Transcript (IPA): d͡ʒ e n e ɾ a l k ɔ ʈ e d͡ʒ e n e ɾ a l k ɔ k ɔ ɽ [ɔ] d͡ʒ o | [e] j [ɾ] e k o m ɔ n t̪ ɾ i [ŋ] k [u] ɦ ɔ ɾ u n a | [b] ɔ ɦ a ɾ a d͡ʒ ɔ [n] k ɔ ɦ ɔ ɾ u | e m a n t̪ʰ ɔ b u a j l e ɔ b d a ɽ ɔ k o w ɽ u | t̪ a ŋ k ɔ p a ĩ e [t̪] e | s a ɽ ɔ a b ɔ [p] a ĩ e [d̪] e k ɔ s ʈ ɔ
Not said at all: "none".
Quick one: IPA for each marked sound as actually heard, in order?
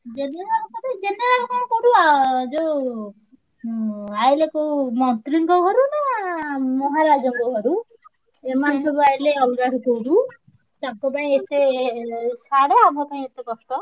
u, a, l, ŋ, ɔ, m, ŋ, t̪, p, t̪

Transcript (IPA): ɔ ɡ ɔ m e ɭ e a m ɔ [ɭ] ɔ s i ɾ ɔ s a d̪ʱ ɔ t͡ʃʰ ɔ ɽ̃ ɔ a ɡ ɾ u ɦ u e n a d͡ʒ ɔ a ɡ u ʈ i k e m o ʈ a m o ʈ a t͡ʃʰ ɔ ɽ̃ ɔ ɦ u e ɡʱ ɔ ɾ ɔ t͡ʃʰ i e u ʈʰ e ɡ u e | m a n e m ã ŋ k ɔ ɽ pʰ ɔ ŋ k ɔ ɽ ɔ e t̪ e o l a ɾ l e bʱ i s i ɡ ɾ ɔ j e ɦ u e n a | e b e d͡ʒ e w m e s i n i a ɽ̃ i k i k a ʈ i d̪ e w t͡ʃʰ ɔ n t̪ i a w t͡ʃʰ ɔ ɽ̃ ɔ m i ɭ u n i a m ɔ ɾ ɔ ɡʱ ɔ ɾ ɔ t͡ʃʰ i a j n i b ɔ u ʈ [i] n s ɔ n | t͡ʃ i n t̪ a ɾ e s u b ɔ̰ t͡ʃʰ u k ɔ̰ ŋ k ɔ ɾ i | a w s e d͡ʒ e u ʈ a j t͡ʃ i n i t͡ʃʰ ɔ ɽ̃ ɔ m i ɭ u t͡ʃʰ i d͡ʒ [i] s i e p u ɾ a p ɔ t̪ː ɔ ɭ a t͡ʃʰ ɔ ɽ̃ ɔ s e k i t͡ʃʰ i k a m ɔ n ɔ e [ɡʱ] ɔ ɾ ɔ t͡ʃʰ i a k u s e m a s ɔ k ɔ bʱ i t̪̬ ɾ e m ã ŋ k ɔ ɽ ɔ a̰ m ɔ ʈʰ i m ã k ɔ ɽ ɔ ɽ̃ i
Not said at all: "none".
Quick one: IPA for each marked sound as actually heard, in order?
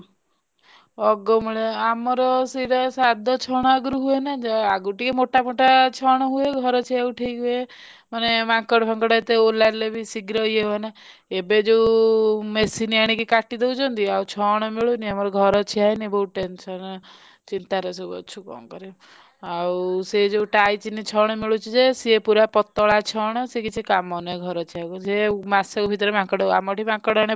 ɾ, e, e, ɡʱ

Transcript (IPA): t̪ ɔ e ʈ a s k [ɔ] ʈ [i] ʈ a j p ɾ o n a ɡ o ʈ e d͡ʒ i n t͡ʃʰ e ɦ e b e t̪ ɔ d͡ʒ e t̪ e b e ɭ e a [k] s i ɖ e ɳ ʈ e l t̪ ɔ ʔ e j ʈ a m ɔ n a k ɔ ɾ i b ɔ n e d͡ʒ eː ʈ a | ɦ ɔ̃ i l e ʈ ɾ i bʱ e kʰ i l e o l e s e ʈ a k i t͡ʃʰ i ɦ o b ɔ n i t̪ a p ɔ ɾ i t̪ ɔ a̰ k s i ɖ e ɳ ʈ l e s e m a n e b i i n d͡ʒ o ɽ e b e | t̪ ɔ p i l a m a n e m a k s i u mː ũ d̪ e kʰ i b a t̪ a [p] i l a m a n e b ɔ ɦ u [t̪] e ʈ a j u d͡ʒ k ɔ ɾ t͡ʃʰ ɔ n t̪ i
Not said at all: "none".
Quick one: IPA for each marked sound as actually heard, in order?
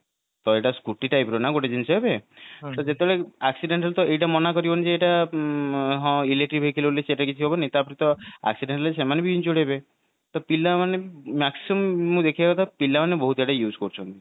u, i, k, p, t̪

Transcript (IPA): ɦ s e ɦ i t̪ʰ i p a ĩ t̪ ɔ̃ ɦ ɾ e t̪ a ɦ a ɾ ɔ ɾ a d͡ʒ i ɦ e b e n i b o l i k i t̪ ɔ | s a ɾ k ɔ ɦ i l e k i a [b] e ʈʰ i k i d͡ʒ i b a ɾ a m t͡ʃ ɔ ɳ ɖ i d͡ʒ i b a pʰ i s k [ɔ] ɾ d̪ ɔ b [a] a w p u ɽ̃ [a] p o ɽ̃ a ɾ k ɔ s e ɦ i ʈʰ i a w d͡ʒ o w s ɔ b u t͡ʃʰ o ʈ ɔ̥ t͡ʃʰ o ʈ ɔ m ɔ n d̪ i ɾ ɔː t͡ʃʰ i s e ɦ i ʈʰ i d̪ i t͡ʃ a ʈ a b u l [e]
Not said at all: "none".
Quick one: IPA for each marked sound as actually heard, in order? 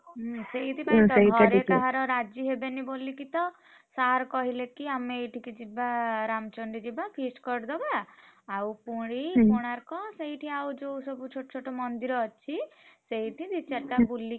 m, ɔ, a, i, i

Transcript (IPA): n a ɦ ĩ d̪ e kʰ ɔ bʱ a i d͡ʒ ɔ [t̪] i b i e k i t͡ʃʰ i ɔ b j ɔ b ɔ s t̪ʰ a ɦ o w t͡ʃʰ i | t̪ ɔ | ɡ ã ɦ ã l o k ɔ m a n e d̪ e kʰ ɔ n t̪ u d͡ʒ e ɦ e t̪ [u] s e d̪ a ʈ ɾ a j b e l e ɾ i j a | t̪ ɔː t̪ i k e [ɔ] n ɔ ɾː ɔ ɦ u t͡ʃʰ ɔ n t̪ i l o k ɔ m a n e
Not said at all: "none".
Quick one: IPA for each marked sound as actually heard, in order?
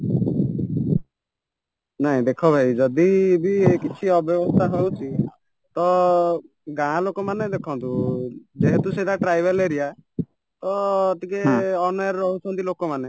d̪, u, ɔ

